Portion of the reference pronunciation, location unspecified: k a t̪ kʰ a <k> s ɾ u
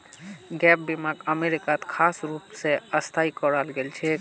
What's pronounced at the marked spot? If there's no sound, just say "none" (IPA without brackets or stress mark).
none